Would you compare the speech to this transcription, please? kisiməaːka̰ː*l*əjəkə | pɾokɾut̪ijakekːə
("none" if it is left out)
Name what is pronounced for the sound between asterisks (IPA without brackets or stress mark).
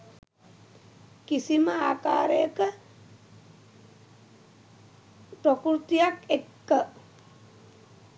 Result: ɾ